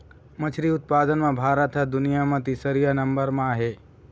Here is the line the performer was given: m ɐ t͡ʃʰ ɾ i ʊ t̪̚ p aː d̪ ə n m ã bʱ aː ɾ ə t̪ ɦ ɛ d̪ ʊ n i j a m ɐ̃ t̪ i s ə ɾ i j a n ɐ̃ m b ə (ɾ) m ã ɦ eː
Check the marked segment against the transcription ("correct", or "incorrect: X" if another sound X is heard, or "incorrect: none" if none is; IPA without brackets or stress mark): correct